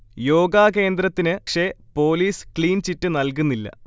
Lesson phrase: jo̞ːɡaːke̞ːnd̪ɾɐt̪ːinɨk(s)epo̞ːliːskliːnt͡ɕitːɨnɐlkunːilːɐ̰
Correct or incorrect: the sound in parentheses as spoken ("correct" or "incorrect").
incorrect